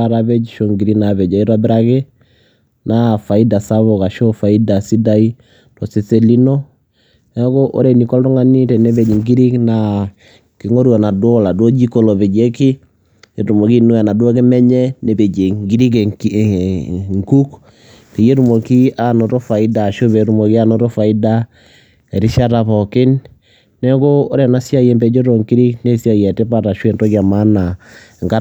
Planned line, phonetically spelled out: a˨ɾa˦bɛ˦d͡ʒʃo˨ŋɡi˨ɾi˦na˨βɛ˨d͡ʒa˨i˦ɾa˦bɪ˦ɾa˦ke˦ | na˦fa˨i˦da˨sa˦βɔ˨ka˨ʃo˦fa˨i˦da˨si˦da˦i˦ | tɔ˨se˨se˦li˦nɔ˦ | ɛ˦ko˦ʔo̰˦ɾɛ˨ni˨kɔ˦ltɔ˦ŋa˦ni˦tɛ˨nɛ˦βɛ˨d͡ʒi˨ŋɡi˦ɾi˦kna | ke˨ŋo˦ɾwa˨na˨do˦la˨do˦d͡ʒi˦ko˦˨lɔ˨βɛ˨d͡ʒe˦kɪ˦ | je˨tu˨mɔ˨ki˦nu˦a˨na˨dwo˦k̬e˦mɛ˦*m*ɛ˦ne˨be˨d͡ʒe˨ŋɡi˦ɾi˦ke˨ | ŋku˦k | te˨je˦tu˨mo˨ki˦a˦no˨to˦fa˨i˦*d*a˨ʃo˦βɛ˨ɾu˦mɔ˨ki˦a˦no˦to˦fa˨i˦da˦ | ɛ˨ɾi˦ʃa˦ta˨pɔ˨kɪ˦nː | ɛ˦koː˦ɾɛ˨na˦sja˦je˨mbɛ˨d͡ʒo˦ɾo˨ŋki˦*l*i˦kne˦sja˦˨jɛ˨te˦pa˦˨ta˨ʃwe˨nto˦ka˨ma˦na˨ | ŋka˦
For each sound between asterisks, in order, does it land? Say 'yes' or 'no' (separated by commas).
no, yes, no